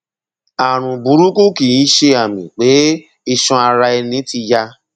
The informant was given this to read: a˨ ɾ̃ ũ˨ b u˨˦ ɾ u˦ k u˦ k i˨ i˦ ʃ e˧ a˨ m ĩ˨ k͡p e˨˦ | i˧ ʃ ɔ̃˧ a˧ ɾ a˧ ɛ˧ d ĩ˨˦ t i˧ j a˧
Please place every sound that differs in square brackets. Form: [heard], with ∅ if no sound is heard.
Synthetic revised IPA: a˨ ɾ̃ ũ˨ b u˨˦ ɾ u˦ k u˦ k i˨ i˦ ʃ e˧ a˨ m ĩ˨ k͡p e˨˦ | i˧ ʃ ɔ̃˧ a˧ ɾ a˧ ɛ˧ [n] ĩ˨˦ t i˧ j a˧

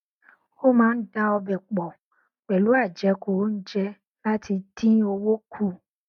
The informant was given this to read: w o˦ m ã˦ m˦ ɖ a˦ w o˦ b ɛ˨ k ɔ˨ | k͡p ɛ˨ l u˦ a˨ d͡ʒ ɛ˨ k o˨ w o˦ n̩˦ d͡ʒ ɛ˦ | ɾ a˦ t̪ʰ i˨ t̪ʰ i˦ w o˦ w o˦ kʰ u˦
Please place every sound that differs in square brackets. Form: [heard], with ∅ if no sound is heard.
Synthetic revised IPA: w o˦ m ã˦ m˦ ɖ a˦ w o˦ b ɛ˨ [k͡p] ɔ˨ | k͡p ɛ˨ l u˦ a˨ d͡ʒ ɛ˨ k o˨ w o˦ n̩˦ d͡ʒ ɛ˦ | [l] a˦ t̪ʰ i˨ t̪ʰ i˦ w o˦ w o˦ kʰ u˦

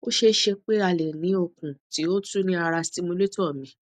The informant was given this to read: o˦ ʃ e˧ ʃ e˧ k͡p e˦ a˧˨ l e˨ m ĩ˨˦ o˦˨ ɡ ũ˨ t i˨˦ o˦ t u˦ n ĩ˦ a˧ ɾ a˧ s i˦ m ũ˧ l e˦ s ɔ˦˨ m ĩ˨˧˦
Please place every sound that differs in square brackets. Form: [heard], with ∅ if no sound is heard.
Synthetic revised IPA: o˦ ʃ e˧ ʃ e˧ k͡p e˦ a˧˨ l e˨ [n] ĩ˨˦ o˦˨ [k] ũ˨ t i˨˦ o˦ t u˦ n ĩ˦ a˧ ɾ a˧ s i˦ m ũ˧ l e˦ [t] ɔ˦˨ m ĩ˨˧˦

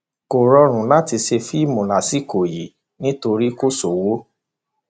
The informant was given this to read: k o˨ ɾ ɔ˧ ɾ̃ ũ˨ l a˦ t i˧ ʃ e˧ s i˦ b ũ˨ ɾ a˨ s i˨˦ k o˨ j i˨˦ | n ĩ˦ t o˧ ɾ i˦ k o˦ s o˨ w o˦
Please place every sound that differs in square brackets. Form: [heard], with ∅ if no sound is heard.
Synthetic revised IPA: k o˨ ɾ ɔ˧ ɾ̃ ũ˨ l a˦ t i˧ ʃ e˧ [f] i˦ [m] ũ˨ [l] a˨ s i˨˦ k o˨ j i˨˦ | n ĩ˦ t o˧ ɾ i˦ k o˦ s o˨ w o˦

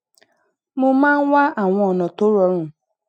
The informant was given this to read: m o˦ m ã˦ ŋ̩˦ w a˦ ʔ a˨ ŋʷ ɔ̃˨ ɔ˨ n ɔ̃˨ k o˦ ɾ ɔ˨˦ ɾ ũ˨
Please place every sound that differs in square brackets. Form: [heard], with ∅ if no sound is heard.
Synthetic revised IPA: m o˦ m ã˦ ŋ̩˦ w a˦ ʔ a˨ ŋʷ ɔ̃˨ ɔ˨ n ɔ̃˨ [t] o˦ ɾ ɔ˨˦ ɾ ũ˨

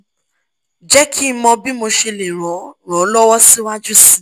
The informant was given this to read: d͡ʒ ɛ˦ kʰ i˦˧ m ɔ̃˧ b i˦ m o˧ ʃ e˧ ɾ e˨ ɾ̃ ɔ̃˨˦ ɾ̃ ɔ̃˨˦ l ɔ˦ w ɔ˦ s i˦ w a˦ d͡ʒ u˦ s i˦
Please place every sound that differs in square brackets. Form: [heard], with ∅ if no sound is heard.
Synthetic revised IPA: d͡ʒ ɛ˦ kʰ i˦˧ m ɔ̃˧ b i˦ m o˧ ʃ e˧ [l] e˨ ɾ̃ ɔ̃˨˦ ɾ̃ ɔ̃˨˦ l ɔ˦ w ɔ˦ s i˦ w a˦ d͡ʒ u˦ s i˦

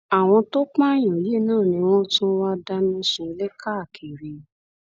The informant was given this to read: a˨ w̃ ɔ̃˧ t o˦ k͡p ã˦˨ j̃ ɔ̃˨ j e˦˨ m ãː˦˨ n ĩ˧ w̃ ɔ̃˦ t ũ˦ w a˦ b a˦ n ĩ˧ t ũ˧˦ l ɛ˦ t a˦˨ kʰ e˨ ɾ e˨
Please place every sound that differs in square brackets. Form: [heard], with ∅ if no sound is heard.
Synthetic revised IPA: a˨ w̃ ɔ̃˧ t o˦ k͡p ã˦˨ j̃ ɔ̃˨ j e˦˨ [n] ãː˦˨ n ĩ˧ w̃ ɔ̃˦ t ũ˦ w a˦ [d] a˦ n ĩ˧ [s] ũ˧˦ l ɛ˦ [k] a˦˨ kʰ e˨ ɾ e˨

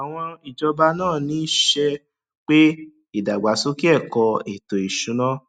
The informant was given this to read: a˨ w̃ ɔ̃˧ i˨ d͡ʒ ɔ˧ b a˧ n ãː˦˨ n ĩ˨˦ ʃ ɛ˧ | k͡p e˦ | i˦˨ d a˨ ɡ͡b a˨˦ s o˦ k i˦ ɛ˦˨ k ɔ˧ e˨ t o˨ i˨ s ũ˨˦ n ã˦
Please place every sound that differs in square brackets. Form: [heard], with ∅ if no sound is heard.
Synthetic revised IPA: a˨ w̃ ɔ̃˧ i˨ d͡ʒ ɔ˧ b a˧ n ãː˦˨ n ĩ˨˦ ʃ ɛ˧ | k͡p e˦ | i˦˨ d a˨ ɡ͡b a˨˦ s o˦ k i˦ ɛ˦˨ k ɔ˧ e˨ t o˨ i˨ [ʃ] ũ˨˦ n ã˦

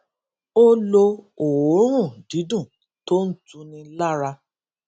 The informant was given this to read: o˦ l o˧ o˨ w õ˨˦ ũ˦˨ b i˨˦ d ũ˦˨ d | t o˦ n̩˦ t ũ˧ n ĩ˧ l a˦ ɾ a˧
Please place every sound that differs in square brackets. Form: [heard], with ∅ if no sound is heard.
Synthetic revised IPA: o˦ l o˧ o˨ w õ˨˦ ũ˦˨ [d] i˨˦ d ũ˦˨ [∅] | t o˦ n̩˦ t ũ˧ n ĩ˧ l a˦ ɾ a˧

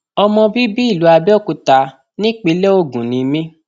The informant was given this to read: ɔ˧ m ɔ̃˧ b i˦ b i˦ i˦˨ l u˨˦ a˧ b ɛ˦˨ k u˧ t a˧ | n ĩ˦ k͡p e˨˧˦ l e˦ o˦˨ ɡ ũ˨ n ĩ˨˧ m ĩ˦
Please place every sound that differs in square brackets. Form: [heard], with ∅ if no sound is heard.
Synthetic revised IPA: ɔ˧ m ɔ̃˧ b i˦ b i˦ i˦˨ l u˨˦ a˧ b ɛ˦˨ k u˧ t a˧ | n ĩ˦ k͡p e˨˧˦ l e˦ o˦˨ ɡ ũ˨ n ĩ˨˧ m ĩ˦

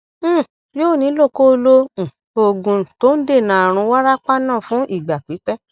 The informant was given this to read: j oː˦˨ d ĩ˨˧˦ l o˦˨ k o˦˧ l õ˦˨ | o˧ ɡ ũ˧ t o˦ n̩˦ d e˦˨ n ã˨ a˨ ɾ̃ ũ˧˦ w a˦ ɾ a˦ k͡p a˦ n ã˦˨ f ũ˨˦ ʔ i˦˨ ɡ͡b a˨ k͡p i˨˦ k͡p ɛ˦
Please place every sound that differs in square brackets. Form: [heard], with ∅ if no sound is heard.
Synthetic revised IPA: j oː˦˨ [n] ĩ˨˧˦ l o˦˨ k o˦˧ l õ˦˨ | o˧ ɡ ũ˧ t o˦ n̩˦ d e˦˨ n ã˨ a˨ ɾ̃ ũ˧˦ w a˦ ɾ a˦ k͡p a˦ n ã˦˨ f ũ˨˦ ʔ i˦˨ ɡ͡b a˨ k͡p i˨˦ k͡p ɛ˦

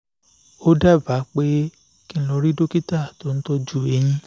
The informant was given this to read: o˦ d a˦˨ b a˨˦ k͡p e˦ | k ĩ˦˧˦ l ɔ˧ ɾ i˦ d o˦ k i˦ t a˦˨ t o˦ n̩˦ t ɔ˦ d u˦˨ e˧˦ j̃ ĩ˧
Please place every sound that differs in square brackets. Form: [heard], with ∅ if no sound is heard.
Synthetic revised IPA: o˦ d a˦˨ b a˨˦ k͡p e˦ | k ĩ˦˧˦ l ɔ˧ ɾ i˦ d o˦ k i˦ t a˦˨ t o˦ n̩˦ t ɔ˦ [d͡ʒ] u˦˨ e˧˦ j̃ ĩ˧

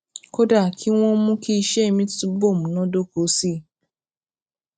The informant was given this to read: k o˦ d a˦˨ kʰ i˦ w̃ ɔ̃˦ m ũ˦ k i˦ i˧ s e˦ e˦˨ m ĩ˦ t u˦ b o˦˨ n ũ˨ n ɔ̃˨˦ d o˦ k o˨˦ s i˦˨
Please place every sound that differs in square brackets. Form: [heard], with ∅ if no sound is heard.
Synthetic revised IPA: k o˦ d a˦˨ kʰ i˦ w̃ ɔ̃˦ m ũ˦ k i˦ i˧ [ʃ] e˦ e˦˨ m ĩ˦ t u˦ b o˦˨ [m] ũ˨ n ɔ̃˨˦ d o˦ k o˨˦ s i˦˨

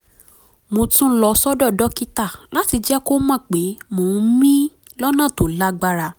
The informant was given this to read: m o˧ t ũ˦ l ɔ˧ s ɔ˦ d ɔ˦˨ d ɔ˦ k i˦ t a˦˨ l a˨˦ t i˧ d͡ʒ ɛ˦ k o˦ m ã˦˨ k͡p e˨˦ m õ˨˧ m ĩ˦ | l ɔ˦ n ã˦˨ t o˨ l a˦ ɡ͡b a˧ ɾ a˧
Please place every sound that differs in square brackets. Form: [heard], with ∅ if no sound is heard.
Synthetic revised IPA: m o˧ t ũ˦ l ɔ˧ s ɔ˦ d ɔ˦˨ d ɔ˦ k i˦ t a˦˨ l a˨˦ t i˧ d͡ʒ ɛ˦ k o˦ m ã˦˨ k͡p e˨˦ m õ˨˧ m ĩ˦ | l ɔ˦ n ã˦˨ t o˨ l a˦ ɡ͡b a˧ ɾ a˧

